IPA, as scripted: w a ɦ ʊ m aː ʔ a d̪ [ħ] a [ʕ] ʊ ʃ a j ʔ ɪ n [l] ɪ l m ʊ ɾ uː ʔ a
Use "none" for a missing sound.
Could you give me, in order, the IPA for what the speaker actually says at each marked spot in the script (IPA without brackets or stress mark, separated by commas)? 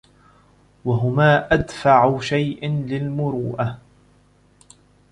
f, ʕ, l